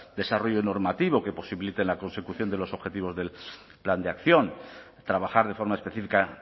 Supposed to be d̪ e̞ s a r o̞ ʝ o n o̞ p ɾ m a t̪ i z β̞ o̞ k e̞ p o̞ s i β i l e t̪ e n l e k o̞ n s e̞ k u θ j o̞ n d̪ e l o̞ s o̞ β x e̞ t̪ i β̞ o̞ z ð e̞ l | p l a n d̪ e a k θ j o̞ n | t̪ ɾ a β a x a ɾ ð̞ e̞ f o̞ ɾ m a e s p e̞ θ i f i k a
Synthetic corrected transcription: d̪ e̞ s a r o̞ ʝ o n o̞ ɾ m a t̪ i β̞ o̞ k e̞ p o̞ s i β i l i t̪ e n l a k o̞ n s e̞ k u θ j o̞ n d̪ e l o̞ s o̞ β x e̞ t̪ i β̞ o̞ z ð e̞ l | p l a n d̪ e a k θ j o̞ n | t̪ ɾ a β a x a ɾ ð̞ e̞ f o̞ ɾ m a e s p e̞ θ i f i k a